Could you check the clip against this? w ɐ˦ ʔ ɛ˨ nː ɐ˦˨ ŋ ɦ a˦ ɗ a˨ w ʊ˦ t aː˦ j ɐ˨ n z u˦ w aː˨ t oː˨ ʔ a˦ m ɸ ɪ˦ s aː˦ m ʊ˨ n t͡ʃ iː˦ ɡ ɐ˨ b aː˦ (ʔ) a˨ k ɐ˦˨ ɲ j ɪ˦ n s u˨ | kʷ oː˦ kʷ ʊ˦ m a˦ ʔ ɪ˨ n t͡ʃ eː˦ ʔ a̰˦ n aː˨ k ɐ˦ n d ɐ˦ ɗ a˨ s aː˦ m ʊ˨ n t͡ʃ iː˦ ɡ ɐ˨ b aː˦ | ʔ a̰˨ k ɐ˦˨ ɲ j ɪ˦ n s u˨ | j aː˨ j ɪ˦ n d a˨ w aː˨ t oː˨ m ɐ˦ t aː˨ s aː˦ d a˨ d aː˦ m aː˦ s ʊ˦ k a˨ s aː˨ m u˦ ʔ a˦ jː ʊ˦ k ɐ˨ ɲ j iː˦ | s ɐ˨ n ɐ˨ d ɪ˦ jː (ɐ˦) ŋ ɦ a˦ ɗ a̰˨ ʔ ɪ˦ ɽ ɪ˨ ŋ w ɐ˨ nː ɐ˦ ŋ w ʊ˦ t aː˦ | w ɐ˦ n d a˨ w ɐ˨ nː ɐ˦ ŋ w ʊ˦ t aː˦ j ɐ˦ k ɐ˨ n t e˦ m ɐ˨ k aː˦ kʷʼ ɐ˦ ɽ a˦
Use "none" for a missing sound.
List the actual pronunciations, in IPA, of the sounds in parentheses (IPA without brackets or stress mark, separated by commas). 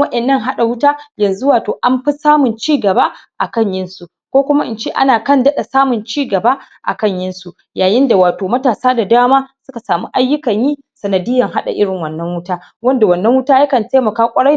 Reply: ʔ, ɐ˨